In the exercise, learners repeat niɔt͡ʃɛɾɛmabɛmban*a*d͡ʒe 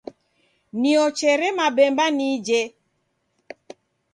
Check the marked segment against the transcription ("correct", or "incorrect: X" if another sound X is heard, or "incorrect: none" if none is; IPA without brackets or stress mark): incorrect: i